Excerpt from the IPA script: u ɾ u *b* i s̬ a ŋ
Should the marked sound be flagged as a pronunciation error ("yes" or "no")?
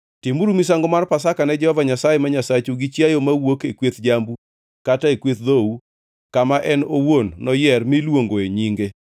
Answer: yes